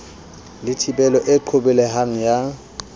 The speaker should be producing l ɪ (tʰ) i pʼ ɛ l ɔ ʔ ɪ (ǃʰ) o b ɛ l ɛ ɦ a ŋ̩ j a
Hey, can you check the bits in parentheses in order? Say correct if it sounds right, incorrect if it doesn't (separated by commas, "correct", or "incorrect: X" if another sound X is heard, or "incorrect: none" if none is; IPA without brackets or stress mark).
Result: correct, correct